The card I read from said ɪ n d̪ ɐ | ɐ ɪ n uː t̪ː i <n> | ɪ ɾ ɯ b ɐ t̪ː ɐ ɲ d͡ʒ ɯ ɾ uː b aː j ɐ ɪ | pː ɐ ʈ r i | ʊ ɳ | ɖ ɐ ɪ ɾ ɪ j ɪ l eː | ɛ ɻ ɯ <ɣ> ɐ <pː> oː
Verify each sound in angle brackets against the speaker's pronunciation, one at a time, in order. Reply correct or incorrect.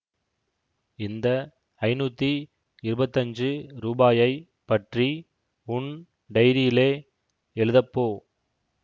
incorrect, incorrect, correct

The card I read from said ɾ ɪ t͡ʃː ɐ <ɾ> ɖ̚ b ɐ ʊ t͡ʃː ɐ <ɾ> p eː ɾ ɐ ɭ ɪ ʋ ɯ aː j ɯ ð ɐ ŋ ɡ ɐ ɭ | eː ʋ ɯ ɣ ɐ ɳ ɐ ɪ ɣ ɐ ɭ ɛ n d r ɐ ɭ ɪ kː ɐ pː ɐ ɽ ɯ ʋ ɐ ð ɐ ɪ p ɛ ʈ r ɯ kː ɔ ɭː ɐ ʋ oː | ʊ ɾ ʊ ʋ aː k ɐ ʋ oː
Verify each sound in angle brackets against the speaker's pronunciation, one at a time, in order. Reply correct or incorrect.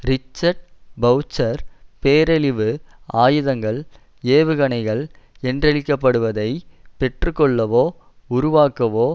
correct, correct

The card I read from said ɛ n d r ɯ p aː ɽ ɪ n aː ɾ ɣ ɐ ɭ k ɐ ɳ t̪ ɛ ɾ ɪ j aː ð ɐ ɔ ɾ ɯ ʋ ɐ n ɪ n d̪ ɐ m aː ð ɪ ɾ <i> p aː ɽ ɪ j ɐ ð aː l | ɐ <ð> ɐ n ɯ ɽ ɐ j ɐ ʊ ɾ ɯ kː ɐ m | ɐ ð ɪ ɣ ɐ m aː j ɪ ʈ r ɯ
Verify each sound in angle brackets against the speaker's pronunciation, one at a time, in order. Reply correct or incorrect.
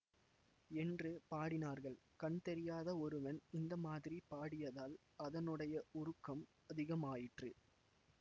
correct, correct

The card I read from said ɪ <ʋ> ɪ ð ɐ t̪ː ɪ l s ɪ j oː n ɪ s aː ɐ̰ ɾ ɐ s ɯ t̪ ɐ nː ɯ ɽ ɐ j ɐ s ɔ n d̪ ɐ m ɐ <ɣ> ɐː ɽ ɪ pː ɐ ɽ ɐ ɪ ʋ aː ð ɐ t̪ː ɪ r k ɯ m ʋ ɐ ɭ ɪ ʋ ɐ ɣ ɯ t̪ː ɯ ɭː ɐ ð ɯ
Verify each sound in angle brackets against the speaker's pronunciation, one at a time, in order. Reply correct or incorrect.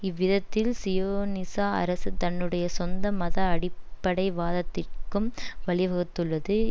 incorrect, incorrect

